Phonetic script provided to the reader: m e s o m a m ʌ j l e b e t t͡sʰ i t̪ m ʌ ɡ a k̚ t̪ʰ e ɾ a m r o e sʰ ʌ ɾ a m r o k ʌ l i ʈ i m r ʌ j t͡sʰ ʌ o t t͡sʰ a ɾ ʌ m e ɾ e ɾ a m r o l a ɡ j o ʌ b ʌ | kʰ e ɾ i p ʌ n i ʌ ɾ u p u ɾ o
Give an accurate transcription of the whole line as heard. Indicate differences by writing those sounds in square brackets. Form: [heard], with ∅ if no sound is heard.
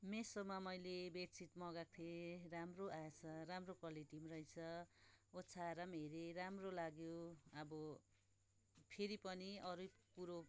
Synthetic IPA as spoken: m e s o m a m ʌ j l e b e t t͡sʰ i t̪ m ʌ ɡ a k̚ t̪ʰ e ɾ a m r o [a] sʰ ʌ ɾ a m r o k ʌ l i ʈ i m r ʌ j t͡sʰ ʌ o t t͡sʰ a ɾ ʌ m e ɾ e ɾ a m r o l a ɡ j o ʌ b ʌ | [pʰ] e ɾ i p ʌ n i ʌ ɾ u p u ɾ o